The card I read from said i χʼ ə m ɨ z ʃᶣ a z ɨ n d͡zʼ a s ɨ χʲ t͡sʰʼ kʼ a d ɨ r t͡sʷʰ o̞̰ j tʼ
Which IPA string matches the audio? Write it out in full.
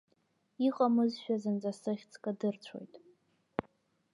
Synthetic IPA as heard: i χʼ a m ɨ z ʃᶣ a z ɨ n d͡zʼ a s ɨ χʲ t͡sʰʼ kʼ a d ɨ r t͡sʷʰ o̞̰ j tʼ